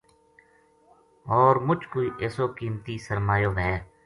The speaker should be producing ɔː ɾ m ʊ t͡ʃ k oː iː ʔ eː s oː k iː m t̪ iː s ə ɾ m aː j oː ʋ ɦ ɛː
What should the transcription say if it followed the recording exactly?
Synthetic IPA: ɔː ɾ m ʊ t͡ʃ k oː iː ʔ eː s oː k iː m t̪ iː s ə ɾ m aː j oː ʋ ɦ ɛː